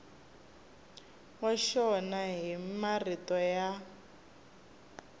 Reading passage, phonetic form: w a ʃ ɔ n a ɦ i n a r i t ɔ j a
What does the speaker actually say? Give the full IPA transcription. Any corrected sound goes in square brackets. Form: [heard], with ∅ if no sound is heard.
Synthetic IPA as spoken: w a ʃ ɔ n a ɦ i [m] a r i t ɔ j a